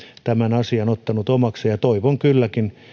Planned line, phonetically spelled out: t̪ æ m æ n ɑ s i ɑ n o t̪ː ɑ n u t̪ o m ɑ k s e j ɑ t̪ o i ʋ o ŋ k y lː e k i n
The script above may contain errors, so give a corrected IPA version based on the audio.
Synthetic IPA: t̪ æ m æ n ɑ s i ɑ n o t̪ː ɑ n u t̪ o m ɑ k s e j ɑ t̪ o i ʋ o ŋ k y lː æ k i n